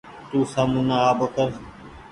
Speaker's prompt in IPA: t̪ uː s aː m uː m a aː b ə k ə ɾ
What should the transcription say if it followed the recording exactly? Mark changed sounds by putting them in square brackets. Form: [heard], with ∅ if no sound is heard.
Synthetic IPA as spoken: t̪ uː s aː m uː [n] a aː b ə k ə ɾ